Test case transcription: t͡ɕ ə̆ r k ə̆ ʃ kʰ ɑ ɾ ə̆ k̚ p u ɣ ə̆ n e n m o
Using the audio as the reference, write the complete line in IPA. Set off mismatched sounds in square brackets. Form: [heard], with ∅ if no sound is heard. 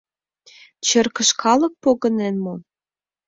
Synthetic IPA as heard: t͡ɕ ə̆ r k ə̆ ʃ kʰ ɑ [l] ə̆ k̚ p [o] ɣ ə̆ n e n m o